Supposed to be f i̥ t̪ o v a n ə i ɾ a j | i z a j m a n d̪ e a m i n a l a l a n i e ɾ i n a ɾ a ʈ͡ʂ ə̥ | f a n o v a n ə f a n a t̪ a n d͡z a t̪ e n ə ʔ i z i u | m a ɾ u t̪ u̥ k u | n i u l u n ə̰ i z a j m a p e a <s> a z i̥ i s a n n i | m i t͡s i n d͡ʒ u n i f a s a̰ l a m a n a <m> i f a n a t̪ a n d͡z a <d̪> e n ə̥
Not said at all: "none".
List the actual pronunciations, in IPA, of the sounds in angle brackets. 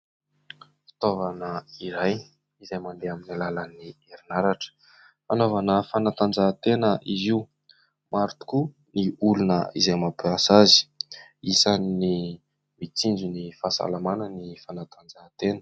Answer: s, n, t̪

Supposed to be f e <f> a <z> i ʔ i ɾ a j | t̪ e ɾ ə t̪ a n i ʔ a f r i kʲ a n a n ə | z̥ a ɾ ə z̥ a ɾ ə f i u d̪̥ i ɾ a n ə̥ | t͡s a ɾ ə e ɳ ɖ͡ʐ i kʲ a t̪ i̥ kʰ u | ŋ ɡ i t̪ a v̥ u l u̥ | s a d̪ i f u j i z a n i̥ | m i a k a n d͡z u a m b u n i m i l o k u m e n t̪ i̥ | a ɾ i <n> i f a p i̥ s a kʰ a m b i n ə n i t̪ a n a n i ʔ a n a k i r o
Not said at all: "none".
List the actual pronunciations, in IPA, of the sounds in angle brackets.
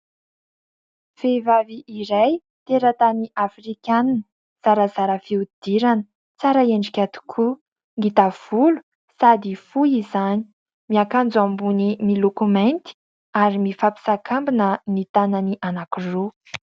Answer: v, v, m

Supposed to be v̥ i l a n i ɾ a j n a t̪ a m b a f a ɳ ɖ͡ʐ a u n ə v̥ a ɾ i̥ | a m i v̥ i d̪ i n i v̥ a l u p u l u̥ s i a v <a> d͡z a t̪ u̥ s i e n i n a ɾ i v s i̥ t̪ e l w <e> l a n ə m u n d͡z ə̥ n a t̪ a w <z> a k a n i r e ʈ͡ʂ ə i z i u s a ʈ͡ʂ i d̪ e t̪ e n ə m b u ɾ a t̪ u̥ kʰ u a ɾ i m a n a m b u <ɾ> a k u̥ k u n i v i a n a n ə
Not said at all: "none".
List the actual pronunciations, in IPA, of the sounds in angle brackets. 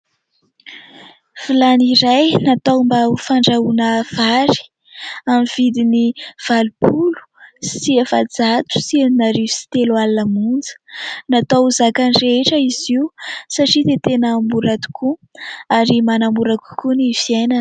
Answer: a, a, z, ɾ

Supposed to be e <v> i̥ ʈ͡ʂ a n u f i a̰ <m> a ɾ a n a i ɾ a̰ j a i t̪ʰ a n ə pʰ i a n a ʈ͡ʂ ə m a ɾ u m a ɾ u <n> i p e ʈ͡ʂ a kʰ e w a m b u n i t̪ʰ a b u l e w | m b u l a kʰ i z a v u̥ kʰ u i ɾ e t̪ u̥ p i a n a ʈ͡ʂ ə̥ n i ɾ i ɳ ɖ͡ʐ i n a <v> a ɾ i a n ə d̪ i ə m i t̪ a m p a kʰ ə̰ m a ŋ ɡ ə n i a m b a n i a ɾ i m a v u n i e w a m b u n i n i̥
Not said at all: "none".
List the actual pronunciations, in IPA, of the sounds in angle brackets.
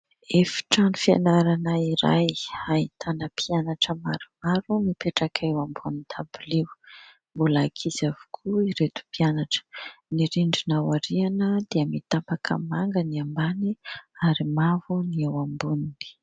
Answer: f, n, m, w

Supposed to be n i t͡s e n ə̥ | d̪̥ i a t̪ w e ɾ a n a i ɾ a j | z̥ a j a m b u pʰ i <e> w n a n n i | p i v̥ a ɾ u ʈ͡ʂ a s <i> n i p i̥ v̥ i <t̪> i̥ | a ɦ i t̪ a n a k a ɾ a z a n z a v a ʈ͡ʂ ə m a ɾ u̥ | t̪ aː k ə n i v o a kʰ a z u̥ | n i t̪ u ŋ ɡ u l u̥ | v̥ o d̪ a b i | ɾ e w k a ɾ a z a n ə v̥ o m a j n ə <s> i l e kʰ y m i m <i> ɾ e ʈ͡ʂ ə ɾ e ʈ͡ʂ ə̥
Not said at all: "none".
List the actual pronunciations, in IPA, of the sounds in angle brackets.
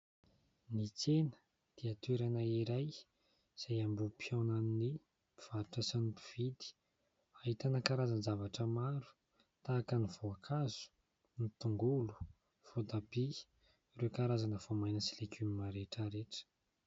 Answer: a, a, d̪, s, a

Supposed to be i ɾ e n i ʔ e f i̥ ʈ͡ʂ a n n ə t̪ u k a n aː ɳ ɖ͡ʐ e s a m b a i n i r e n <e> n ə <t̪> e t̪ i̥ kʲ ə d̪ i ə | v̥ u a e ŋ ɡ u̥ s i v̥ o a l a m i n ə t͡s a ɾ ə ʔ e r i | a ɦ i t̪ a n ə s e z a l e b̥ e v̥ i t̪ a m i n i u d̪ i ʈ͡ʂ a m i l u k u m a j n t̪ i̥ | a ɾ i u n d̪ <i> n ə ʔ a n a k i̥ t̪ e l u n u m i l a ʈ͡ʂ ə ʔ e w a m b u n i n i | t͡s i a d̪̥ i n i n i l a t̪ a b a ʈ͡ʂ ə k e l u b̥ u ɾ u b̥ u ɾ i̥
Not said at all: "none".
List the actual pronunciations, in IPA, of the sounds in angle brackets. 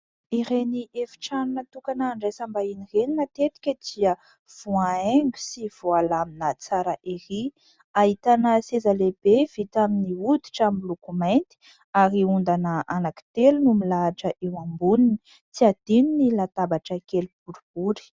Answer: i, t̪, a

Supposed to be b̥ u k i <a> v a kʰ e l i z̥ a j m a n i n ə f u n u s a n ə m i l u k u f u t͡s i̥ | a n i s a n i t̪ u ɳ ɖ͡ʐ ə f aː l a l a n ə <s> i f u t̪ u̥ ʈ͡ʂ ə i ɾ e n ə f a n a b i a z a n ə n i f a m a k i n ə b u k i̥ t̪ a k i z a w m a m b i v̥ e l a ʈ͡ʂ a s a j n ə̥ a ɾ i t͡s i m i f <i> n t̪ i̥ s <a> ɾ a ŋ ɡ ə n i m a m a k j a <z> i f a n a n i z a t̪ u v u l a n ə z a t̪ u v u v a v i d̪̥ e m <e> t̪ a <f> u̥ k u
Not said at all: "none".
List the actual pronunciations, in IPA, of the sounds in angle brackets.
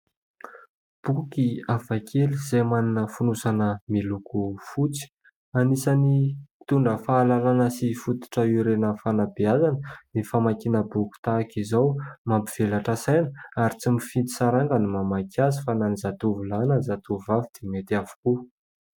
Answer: a, s, i, a, z, e, v

